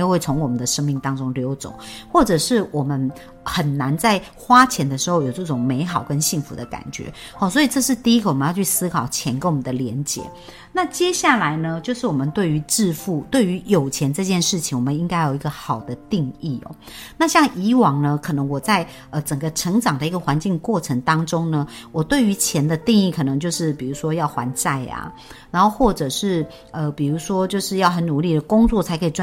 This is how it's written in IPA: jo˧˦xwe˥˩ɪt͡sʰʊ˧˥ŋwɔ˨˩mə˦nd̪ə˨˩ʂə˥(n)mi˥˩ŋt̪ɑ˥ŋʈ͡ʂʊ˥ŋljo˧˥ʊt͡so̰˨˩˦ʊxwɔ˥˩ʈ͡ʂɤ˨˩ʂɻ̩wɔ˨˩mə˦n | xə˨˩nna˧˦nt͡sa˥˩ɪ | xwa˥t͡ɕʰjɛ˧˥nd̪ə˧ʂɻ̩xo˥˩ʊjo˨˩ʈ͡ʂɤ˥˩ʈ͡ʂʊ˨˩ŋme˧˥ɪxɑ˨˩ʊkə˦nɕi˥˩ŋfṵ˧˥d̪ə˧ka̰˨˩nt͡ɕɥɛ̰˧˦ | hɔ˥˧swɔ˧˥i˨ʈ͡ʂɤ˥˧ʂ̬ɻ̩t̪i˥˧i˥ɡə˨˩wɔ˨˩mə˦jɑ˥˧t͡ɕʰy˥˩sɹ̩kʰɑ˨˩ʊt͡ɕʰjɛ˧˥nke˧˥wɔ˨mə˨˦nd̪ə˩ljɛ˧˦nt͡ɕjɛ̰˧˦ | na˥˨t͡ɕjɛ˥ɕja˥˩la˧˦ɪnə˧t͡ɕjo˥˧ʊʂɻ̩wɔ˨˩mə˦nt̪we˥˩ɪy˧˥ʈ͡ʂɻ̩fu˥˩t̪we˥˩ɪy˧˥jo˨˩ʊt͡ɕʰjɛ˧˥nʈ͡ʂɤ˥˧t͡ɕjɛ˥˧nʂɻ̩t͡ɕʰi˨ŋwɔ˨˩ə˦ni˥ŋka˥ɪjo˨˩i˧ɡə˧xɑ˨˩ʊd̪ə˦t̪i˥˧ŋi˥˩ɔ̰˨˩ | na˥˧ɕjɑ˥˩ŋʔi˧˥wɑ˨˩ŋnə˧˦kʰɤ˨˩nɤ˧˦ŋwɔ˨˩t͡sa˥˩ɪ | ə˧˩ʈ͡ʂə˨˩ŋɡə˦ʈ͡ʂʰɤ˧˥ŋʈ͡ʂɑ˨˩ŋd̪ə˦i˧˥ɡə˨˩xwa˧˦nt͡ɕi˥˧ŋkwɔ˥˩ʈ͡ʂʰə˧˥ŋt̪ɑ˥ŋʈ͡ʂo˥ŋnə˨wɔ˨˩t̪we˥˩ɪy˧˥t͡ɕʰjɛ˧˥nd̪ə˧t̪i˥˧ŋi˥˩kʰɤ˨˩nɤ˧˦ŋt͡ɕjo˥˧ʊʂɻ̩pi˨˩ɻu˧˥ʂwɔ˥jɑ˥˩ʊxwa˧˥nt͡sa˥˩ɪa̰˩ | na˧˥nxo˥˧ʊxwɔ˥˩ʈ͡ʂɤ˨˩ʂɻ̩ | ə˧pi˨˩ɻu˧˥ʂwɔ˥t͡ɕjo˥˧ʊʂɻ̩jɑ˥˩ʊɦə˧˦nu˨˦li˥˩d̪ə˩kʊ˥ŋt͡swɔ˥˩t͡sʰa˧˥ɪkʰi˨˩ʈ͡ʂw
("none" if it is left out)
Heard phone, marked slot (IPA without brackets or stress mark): ŋ